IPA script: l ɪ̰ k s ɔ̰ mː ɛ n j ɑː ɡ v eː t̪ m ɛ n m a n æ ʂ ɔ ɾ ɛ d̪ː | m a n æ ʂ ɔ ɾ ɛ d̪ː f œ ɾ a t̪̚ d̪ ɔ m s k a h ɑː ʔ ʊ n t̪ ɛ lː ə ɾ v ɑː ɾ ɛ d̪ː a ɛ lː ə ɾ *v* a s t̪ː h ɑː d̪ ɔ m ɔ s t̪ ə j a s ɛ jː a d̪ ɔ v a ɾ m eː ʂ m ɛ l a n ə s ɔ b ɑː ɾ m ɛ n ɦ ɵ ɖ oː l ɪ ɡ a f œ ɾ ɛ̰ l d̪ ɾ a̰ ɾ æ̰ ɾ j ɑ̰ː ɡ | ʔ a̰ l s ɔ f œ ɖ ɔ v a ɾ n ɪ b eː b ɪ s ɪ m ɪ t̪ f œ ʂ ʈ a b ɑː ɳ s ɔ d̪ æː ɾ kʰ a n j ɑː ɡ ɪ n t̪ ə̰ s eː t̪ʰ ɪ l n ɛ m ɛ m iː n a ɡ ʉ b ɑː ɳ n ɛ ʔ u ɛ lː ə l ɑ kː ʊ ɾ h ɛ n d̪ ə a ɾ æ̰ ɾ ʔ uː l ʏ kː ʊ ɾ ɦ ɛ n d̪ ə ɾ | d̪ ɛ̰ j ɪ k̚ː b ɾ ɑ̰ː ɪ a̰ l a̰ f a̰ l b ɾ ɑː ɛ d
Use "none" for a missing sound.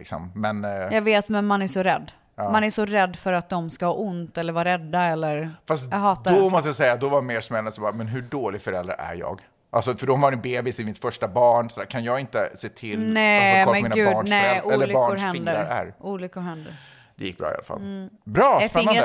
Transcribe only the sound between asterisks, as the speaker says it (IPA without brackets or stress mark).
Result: f